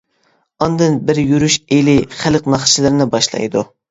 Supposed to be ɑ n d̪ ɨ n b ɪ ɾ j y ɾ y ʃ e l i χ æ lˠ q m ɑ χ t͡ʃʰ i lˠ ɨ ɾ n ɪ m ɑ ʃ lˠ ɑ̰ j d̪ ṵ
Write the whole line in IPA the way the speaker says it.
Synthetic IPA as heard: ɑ n d̪ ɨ n b ɪ ɾ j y ɾ y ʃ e l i χ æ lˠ q n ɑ χ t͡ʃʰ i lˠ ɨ ɾ n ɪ b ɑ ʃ lˠ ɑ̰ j d̪ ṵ

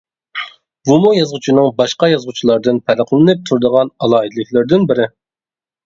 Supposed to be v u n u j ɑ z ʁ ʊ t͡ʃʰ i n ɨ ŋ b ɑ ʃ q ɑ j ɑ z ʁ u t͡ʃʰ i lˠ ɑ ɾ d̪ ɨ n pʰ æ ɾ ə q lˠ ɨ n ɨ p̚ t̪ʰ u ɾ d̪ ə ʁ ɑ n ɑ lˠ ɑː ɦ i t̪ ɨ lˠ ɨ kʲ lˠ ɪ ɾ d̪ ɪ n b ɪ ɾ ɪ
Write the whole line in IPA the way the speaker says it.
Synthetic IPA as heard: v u m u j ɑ z ʁ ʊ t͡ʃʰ i n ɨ ŋ b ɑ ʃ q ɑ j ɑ z ʁ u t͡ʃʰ i lˠ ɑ ɾ d̪ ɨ n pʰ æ ɾ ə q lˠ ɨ n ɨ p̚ t̪ʰ u ɾ d̪ ə ʁ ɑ n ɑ lˠ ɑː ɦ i d̪ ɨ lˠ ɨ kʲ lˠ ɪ ɾ d̪ ɪ n b ɪ ɾ ɪ

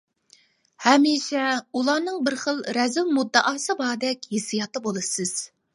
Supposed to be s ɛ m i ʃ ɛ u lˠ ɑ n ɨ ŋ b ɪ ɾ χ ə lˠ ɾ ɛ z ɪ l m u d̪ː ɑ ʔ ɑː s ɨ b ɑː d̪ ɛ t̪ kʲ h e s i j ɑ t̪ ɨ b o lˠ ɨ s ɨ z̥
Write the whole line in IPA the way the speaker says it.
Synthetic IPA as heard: h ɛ m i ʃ ɛ u lˠ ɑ n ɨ ŋ b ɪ ɾ χ ə lˠ ɾ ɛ z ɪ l m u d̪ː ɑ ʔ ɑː s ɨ b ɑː d̪ ɛ kʲ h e s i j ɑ t̪ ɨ b o lˠ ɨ s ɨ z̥

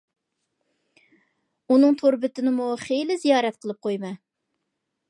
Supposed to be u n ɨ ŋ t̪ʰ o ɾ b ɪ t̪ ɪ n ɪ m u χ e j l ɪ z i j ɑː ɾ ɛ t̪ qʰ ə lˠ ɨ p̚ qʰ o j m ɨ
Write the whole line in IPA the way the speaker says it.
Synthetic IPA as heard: u n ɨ ŋ t̪ʰ o ɾ b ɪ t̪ ɪ n ɪ m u χ e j l ɪ z i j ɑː ɾ ɛ t̪ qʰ ə lˠ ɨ p̚ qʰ o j m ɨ

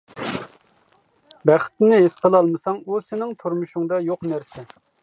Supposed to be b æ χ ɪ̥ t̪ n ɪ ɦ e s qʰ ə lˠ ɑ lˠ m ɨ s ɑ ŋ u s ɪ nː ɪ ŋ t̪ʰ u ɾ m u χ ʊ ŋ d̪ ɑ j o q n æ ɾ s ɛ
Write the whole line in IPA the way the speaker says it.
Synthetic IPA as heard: b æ χ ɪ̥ t̪ n ɪ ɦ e s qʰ ə lˠ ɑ lˠ m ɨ s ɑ ŋ u s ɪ n ɪ ŋ t̪ʰ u ɾ m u ʃ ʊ ŋ d̪ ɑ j o q n æ ɾ s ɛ

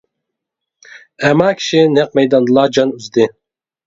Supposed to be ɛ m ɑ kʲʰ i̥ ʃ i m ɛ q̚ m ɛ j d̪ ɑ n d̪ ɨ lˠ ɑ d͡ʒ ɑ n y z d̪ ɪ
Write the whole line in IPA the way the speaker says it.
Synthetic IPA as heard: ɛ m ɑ kʲʰ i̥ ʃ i n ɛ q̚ m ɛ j d̪ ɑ n d̪ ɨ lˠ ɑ d͡ʒ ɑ n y z d̪ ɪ

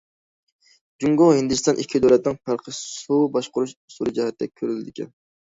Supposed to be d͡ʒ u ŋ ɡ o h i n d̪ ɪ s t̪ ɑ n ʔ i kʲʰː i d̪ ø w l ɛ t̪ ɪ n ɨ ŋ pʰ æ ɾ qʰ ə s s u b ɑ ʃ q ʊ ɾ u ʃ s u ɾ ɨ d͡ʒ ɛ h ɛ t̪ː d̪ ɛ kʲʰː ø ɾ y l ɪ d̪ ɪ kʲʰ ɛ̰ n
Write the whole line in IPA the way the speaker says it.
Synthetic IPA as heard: d͡ʒ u ŋ ɡ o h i n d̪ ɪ s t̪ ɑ n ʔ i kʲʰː i d̪ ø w l ɛ t̪ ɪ n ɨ ŋ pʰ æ ɾ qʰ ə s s u b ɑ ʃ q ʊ ɾ u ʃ s u ɾ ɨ d͡ʒ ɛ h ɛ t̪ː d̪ ɛ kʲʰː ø ɾ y l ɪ d̪ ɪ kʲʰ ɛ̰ n

